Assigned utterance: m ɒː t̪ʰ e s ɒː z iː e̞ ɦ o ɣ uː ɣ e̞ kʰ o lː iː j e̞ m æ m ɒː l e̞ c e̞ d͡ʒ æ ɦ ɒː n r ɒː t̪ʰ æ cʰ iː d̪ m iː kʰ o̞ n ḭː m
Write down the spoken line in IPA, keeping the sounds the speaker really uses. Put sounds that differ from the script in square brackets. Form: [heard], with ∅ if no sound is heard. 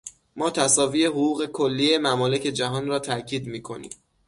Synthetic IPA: m ɒː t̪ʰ [æ] s ɒː [v] iː e̞ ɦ o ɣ uː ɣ e̞ kʰ o lː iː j e̞ m æ m ɒː l e̞ c e̞ d͡ʒ æ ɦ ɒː n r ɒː t̪ʰ æ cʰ iː d̪ m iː kʰ o̞ n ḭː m